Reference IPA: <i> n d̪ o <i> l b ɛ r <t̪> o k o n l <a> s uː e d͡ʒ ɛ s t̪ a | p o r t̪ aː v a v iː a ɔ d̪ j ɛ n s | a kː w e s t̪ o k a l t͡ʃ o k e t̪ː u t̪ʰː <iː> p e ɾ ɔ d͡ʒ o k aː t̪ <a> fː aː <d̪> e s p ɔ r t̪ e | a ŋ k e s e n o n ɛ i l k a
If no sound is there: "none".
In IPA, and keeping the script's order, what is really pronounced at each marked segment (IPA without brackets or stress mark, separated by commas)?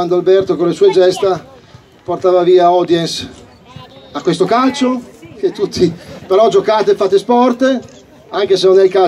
a, a, t̪, e, i, e, t̪